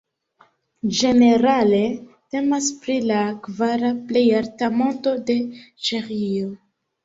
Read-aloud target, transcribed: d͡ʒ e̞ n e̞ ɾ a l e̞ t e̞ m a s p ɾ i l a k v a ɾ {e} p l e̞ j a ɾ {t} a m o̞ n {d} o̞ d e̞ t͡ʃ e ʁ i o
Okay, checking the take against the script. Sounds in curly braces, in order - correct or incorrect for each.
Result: incorrect, correct, incorrect

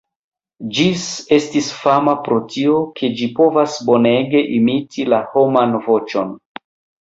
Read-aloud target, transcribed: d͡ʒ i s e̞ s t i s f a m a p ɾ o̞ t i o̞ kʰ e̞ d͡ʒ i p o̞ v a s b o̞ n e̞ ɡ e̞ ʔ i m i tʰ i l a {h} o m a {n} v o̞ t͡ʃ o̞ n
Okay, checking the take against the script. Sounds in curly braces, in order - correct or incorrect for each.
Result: correct, correct

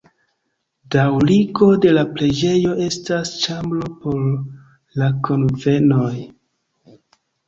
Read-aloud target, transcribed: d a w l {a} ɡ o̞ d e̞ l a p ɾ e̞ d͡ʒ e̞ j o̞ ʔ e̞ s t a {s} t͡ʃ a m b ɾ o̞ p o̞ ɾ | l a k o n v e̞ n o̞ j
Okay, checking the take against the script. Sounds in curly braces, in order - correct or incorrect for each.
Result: incorrect, correct

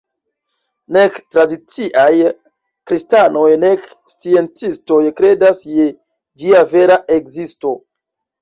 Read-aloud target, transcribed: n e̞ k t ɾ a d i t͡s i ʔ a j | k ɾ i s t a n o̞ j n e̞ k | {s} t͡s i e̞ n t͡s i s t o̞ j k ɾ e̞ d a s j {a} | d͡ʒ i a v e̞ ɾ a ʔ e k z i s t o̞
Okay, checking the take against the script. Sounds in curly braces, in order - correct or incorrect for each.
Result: correct, incorrect

